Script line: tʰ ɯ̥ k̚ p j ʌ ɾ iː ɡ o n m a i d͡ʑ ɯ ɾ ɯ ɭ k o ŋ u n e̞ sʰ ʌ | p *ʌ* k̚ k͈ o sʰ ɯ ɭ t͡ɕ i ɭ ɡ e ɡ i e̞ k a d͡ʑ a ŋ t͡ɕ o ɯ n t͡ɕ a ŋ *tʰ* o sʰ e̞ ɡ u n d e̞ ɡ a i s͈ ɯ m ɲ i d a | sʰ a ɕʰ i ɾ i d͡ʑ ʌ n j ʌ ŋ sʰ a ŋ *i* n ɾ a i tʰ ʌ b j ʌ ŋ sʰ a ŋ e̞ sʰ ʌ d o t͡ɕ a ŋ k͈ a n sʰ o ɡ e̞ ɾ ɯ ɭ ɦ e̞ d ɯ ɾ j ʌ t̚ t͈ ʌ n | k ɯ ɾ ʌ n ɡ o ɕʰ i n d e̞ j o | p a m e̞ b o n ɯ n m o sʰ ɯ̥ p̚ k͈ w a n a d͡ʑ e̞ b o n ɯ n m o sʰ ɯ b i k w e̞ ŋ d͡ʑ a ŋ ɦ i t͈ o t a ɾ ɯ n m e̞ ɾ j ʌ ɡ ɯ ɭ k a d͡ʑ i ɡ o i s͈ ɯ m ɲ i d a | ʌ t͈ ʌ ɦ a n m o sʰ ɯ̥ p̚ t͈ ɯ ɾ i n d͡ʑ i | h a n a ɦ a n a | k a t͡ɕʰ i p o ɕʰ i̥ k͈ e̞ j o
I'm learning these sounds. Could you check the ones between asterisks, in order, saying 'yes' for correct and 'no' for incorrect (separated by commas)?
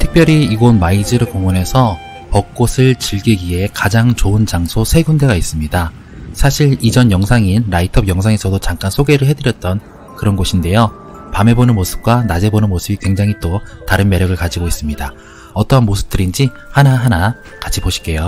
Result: yes, no, yes